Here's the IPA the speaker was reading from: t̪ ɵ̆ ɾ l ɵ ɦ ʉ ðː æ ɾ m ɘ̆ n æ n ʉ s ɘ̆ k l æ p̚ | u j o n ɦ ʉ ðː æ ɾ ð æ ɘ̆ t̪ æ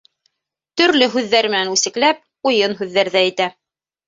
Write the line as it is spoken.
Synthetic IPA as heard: t̪ ɵ̆ ɾ l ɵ ɦ ʉ ðː æ ɾ m ɘ̆ n æ n ʉ s ɘ̆ k l æ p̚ | u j ɤ n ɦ ʉ ðː æ ɾ ð æ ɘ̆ t̪ æ